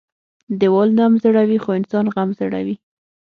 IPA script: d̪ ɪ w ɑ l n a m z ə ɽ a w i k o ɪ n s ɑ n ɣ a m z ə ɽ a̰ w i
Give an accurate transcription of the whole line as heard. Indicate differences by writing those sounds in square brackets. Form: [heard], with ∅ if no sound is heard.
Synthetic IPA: d̪ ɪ w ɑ l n a m z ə ɽ a w i [x] o ɪ n s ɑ n ɣ a m z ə ɽ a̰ w i